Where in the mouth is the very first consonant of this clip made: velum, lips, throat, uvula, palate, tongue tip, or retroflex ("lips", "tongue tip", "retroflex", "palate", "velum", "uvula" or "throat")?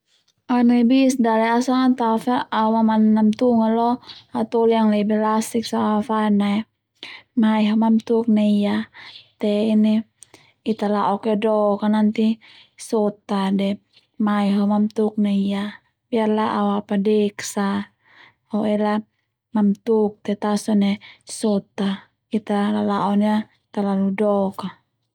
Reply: tongue tip